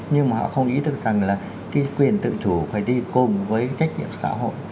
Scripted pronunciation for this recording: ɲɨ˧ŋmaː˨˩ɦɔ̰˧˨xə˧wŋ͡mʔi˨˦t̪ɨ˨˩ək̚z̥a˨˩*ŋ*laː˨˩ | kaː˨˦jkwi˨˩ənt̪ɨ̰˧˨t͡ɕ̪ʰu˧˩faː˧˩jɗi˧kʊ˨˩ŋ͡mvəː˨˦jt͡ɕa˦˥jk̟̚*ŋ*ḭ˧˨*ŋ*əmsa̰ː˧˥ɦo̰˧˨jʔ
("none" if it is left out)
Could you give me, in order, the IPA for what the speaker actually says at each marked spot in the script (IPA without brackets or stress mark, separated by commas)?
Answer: ŋ, ɲ, none